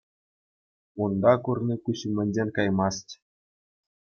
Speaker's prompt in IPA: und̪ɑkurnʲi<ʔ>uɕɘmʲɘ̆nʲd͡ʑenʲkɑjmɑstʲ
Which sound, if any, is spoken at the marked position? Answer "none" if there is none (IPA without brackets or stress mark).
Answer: k